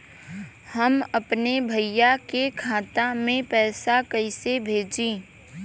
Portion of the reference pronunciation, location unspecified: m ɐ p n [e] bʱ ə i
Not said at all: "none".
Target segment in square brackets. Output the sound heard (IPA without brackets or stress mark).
e